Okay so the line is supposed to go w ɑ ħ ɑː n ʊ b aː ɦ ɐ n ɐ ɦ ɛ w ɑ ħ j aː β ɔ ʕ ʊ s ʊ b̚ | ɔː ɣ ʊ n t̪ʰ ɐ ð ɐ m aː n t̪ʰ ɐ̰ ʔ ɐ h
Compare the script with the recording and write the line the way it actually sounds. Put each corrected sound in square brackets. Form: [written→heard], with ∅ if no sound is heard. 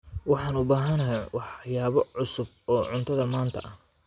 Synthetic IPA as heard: w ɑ ħ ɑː n ʊ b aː ɦ ɐ n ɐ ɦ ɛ w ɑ ħ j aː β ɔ ʕ ʊ s ʊ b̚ | ɔː [ɣ→ʕ] ʊ n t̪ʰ ɐ ð ɐ m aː n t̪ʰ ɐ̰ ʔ ɐ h